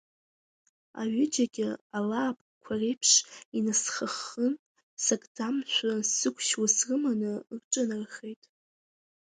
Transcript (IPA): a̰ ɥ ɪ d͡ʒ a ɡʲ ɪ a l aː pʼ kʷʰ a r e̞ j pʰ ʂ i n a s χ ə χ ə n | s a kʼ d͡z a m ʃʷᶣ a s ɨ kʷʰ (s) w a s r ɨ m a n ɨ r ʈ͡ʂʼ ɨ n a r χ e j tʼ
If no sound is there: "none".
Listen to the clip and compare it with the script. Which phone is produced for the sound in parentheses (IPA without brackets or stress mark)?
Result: ʃ